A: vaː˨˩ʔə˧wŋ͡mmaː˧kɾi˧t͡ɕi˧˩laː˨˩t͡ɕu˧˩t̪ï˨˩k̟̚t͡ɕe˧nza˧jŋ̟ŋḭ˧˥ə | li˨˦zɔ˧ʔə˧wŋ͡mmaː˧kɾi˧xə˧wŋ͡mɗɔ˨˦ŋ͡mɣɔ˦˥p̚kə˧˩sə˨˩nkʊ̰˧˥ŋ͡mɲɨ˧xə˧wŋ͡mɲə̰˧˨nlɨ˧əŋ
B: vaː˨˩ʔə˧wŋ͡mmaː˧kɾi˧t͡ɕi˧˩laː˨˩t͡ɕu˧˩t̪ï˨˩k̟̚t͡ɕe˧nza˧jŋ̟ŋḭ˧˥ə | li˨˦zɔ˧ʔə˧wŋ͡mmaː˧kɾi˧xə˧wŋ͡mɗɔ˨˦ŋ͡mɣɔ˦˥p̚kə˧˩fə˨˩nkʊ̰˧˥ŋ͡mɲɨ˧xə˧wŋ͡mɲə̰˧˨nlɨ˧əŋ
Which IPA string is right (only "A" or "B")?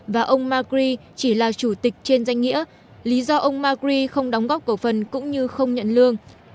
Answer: B